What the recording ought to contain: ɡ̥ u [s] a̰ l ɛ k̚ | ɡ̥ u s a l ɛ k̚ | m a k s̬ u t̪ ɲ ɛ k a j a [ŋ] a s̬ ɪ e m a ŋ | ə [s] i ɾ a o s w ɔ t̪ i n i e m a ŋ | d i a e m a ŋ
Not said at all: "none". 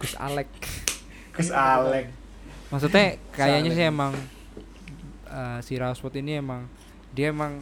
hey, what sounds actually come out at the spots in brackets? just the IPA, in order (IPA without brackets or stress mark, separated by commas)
s, ɲ, s